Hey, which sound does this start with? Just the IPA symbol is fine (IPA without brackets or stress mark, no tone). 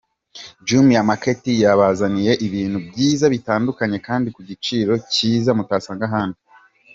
d͡ʒ